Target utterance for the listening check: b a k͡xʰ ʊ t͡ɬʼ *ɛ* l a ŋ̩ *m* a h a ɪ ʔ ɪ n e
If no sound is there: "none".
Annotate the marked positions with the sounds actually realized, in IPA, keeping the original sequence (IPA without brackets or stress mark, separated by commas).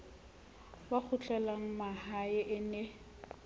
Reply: ɛ, m